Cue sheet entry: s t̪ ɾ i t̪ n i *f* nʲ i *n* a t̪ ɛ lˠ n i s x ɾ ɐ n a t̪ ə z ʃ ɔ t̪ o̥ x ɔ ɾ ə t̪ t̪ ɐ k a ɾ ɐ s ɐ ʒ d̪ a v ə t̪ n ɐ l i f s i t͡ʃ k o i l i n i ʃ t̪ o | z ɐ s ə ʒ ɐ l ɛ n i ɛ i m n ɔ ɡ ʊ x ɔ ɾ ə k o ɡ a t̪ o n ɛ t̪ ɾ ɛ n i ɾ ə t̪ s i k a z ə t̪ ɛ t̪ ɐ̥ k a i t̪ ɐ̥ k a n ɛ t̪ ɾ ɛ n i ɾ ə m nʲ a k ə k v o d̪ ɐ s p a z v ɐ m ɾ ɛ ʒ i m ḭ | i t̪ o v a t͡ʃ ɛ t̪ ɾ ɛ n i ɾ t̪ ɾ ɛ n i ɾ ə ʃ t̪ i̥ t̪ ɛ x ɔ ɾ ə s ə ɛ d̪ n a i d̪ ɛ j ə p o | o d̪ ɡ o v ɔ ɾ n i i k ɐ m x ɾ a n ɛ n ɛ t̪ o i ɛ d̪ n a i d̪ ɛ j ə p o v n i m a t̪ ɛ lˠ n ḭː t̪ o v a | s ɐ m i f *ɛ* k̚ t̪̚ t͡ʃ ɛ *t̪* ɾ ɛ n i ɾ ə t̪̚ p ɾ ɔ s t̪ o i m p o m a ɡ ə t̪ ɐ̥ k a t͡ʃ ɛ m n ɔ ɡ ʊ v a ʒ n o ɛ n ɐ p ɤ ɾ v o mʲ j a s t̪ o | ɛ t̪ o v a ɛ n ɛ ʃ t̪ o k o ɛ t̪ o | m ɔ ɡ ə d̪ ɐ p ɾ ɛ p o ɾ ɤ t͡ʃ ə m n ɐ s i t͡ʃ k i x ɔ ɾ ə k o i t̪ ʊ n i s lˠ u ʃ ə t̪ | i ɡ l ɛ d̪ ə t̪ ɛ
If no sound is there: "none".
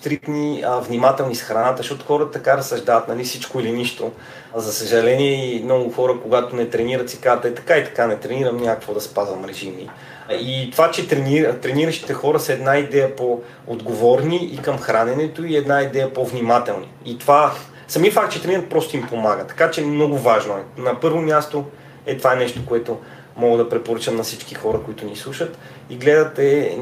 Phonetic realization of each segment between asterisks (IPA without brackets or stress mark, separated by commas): v, m, a, t̪